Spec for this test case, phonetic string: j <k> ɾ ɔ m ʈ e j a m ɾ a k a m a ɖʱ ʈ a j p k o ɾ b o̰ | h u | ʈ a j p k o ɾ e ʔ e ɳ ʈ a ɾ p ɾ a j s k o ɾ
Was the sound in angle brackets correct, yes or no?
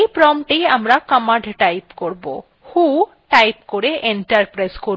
no